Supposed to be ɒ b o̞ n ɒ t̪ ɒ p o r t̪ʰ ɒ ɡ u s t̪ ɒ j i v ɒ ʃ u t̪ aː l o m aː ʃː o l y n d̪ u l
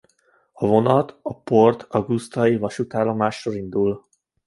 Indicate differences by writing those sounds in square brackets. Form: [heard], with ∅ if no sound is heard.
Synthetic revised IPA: ɒ [v] o̞ n ɒ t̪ ɒ p o r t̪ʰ ɒ ɡ u s t̪ ɒ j i v ɒ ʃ u t̪ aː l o m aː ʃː o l [i] n d̪ u l